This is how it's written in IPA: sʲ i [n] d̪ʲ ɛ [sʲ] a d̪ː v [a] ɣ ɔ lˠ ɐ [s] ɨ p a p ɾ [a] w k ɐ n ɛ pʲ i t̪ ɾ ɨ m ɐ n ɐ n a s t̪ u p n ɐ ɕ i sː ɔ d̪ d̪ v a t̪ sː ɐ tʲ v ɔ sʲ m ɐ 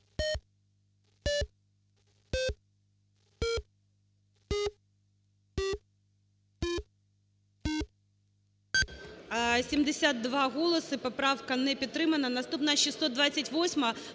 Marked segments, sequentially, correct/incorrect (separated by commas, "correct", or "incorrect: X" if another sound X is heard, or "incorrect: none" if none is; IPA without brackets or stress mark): incorrect: m, correct, correct, correct, correct